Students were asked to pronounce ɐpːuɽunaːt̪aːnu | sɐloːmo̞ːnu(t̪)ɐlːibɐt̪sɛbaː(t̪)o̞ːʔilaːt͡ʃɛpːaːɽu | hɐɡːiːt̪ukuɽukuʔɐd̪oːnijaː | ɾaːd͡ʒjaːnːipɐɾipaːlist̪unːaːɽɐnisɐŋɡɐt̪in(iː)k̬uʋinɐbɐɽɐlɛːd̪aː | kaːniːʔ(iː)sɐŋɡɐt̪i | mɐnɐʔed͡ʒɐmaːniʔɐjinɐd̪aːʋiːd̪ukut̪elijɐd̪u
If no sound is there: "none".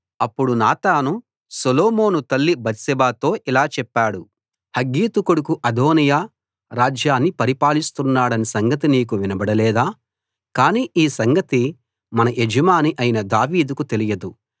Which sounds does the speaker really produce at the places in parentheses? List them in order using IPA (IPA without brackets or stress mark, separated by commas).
t̪, t̪, iː, iː